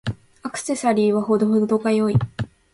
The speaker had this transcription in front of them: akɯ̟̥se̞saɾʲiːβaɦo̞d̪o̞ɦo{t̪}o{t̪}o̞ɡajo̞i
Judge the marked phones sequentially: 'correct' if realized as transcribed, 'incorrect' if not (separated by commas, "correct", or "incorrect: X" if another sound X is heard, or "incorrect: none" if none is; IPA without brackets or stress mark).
incorrect: d̪, incorrect: d̪